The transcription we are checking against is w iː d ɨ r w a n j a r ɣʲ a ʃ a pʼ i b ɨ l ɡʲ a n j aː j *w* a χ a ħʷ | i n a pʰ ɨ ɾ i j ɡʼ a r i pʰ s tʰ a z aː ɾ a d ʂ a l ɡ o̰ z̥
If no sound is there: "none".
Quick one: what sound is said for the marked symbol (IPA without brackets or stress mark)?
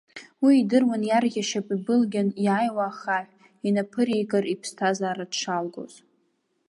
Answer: w